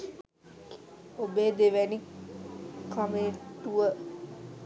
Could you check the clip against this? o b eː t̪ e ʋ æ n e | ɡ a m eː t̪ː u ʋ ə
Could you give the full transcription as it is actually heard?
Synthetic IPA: o b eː d̪ e ʋ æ n i | k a m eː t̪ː u ʋ ə